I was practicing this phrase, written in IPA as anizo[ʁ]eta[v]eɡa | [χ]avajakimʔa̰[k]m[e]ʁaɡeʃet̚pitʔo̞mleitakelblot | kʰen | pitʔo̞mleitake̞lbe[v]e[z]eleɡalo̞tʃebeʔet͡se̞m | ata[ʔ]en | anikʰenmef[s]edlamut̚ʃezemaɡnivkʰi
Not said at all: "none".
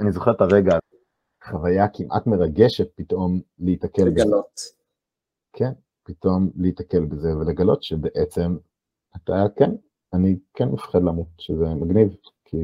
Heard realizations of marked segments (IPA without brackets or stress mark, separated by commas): χ, ʁ, χ, t, e, z, v, k, χ